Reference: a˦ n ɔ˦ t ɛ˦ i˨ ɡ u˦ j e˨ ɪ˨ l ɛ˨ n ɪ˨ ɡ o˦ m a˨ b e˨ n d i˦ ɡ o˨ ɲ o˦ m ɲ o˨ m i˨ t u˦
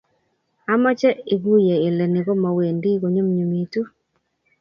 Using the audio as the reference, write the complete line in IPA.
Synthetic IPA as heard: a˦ m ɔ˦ t͡ʃ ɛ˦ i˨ ɡ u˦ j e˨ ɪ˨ l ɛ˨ n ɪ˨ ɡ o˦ m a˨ w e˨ n d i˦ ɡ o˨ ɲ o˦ m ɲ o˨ m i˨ t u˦